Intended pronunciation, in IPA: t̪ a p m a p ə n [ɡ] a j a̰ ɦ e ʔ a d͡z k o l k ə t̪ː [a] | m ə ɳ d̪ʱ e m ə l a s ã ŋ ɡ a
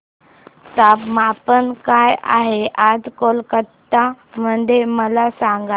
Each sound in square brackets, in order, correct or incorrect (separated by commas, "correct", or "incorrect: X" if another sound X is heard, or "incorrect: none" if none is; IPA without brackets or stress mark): incorrect: k, correct